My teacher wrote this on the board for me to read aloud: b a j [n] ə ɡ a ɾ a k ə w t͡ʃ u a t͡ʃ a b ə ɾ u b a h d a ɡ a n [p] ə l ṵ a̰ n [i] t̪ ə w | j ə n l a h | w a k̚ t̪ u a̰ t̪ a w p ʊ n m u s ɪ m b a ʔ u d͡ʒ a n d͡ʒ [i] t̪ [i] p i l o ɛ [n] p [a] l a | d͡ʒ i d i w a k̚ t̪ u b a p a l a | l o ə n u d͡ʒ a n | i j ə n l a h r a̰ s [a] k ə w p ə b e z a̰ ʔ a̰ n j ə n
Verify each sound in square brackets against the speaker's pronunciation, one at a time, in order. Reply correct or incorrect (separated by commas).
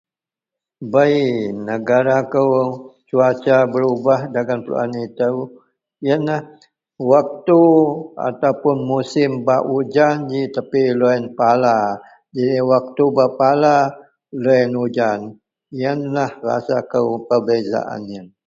correct, correct, correct, correct, incorrect, correct, correct, correct